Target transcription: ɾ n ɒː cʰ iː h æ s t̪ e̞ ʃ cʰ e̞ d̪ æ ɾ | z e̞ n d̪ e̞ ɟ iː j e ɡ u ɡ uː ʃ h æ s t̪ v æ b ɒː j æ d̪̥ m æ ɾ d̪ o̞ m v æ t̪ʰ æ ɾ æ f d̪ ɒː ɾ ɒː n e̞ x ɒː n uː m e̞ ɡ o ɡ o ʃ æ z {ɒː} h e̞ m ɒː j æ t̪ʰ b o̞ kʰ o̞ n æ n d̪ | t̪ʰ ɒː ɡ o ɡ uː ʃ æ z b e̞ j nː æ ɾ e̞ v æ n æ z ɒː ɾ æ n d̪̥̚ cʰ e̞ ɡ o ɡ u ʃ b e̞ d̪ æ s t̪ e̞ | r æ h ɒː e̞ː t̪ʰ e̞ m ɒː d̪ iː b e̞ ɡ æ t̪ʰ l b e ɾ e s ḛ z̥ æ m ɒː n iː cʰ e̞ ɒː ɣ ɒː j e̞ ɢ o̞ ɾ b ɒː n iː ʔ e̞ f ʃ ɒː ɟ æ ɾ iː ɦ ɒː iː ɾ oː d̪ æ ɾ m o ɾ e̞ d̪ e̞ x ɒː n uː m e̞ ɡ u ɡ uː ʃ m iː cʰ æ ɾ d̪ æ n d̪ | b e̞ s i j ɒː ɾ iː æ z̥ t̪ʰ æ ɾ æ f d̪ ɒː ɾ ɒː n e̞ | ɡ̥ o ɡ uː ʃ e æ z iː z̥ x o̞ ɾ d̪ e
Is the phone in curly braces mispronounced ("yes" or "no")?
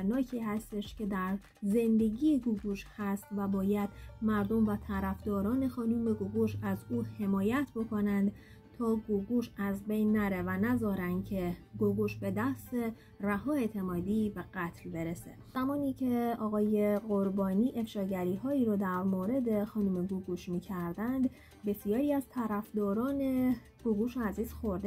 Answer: yes